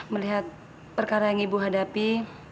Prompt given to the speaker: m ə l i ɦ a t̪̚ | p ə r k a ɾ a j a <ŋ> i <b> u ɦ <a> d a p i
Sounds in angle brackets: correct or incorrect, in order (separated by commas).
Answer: correct, correct, correct